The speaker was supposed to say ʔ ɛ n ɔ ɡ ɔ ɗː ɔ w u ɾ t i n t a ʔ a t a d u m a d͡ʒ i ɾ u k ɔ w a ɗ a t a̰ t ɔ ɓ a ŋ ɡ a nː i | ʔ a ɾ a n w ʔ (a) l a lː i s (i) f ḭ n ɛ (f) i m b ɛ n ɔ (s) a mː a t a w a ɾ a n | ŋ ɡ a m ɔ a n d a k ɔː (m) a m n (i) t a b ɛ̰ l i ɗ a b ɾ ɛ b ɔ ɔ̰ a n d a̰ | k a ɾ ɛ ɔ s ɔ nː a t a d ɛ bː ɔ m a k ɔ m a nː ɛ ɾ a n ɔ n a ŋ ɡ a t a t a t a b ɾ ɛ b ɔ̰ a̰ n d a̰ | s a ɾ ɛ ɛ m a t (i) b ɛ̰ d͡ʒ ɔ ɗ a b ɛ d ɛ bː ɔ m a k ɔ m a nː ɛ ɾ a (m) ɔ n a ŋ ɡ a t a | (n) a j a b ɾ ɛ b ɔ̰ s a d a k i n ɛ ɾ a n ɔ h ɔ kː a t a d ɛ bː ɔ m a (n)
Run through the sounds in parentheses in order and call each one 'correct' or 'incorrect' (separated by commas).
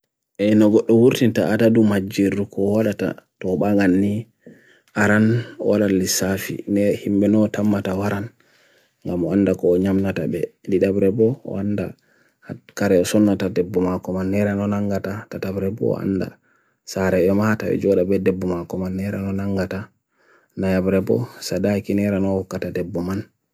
correct, incorrect, incorrect, incorrect, incorrect, incorrect, incorrect, incorrect, correct, correct